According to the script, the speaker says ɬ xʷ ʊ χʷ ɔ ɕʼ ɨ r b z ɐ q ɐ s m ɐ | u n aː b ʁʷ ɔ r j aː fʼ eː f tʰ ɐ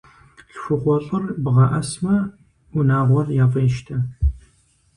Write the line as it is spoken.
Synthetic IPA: ɬ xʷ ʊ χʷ ɔ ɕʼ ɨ r b ʁ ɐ ʔ ɐ s m ɐ | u n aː ʁʷ ɔ r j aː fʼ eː ʃ tʰ ɐ